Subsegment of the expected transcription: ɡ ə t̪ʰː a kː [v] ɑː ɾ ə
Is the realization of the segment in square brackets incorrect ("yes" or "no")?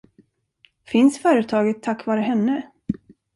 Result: no